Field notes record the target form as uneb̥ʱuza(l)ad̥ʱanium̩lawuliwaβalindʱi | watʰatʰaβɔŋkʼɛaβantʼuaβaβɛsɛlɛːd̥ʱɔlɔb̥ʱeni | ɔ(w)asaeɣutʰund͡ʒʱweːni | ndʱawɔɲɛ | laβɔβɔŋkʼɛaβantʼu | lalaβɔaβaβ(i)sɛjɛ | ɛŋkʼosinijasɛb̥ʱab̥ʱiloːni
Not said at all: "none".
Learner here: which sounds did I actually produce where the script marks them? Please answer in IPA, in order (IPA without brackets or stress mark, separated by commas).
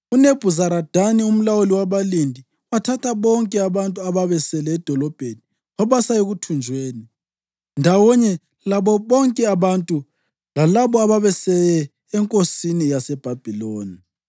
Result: ɾ, β, ɛ